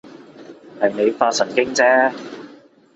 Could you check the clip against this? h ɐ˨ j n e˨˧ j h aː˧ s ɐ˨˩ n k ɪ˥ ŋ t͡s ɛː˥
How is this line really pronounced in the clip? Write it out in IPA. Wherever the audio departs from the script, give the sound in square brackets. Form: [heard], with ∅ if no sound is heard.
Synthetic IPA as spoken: h ɐ˨ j n e˨˧ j [f] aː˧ s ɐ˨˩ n k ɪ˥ ŋ t͡s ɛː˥